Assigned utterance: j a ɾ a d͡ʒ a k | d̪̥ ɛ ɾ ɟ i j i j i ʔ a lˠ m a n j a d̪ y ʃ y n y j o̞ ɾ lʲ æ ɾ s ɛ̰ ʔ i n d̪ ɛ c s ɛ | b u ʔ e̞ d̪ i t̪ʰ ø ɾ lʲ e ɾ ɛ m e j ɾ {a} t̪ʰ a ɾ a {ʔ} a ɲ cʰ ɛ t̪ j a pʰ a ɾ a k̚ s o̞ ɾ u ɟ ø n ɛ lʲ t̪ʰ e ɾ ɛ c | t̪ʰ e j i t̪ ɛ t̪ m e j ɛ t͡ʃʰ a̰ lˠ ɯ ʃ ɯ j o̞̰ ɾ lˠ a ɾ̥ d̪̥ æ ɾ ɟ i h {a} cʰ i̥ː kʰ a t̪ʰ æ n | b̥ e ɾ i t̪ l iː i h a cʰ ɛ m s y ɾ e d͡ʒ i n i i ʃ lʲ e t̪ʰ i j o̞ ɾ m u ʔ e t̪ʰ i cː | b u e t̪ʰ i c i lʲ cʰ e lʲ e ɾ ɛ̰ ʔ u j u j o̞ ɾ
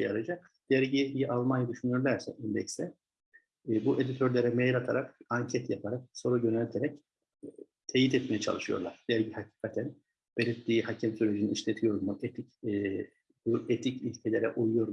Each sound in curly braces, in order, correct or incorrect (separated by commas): correct, incorrect, correct